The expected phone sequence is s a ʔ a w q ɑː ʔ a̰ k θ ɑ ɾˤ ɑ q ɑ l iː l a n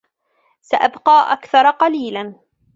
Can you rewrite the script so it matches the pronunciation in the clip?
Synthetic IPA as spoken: s a ʔ a b q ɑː ʔ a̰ k θ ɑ ɾˤ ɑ q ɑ l iː l a n